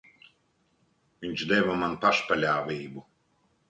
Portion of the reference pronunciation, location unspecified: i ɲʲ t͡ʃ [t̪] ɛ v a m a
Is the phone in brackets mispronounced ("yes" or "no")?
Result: yes